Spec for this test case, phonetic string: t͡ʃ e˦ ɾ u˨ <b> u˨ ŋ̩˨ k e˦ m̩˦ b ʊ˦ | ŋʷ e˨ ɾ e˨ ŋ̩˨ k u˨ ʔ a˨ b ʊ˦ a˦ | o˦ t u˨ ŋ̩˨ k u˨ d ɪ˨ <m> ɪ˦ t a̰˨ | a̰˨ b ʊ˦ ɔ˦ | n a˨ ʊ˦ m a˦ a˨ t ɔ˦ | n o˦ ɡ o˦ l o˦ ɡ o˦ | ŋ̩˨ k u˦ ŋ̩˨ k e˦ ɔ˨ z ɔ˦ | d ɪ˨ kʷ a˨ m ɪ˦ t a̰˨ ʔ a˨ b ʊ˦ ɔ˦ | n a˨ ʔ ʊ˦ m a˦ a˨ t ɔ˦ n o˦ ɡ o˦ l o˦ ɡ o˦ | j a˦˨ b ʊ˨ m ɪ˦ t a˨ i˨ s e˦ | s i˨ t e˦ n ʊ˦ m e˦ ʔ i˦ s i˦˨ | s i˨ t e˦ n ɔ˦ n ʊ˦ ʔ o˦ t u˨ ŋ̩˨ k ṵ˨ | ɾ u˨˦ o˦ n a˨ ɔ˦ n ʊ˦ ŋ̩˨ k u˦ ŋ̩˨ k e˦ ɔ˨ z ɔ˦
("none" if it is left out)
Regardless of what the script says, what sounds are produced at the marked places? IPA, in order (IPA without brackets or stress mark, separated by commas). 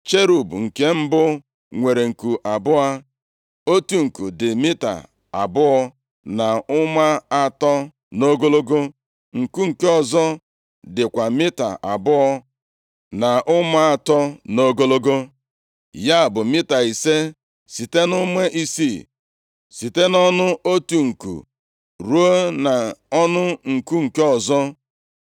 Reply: b, m